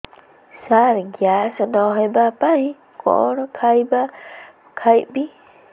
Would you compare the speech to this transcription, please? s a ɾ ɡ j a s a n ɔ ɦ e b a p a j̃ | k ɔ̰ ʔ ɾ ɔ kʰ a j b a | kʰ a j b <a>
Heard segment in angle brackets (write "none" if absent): i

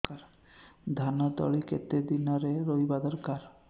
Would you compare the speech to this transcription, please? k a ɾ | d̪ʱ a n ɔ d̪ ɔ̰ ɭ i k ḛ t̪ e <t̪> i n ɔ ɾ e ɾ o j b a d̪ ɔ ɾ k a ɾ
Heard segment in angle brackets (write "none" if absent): d̪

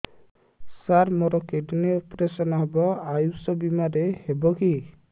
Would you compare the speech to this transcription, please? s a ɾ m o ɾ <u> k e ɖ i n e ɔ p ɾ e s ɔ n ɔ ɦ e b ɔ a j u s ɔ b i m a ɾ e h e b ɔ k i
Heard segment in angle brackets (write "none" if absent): ɔ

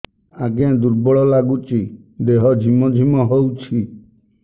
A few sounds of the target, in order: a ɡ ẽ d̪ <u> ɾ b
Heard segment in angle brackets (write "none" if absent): u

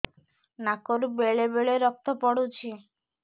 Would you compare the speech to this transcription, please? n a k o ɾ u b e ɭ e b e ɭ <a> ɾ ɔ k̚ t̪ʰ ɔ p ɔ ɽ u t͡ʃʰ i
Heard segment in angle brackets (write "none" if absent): e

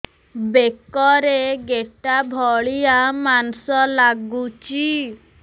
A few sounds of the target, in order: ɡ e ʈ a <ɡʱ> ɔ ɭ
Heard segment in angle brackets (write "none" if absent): bʱ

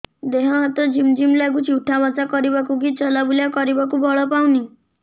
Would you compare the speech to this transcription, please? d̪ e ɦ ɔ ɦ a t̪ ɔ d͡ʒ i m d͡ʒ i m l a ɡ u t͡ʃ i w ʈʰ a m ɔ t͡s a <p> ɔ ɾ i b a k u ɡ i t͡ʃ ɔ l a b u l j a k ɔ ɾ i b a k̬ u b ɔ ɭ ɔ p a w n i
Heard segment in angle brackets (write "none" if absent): k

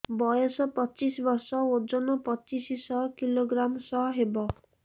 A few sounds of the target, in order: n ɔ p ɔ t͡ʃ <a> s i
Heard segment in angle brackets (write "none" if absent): i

